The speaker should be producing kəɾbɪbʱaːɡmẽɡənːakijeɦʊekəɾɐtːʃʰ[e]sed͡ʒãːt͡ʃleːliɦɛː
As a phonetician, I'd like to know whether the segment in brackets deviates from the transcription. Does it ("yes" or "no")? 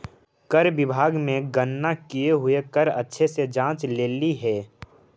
no